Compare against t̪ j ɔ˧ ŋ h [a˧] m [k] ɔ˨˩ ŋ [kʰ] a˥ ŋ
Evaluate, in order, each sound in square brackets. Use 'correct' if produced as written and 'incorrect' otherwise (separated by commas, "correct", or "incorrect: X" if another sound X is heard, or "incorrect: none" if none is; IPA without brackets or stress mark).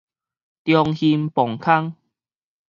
incorrect: i˧, incorrect: p, correct